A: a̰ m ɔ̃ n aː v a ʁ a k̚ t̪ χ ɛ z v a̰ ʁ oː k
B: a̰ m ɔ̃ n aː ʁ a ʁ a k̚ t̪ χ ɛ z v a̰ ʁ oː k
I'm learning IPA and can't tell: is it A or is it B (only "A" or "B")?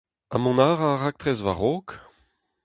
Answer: B